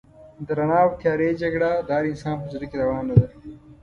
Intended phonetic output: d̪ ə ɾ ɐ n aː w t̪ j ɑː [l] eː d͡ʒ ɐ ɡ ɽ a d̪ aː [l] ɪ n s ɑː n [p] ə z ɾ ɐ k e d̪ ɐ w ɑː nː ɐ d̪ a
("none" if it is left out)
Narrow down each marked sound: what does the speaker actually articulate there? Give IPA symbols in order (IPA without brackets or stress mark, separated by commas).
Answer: ɾ, ɾ, p